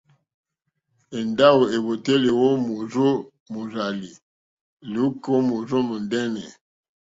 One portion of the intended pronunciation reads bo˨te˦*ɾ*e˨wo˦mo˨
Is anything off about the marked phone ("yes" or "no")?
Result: yes